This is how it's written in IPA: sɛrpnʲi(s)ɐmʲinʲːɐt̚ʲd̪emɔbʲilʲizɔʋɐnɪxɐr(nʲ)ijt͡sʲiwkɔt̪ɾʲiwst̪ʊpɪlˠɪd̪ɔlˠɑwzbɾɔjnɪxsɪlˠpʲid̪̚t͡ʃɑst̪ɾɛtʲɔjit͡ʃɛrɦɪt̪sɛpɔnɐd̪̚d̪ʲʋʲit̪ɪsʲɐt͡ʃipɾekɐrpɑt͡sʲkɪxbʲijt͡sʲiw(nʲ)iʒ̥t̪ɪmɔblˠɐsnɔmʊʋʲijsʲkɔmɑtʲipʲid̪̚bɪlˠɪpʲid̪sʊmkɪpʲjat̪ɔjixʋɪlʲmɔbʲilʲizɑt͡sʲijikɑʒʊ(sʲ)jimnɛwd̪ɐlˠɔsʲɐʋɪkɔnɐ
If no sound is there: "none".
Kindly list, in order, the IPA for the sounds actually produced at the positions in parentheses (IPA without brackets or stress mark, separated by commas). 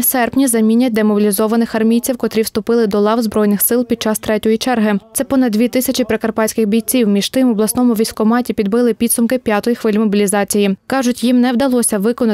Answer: z, mʲ, mʲ, tʲ